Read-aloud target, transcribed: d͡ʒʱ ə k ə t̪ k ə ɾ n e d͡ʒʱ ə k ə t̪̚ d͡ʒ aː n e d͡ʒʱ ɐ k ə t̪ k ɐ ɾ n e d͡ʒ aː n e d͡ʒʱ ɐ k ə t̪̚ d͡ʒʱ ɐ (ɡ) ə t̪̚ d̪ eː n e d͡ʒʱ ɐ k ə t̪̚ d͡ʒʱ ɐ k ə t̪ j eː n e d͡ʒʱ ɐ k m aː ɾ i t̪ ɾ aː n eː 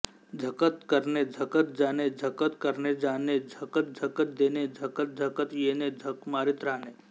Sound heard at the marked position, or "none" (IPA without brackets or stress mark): k